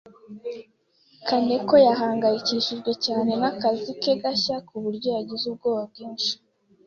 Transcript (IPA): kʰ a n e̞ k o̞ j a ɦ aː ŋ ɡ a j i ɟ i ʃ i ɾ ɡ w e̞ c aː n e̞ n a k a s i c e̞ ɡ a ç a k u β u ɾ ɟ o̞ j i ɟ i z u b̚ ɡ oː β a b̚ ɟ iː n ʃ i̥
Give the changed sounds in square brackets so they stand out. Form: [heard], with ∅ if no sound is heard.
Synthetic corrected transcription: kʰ a n e̞ k o̞ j a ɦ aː ŋ ɡ a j i [c] i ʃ i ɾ ɡ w e̞ c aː n e̞ n a k a [z] i [k] e̞ ɡ a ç a k u β u ɾ ɟ o̞ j [a] ɟ i z u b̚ ɡ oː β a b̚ [ɡ] iː n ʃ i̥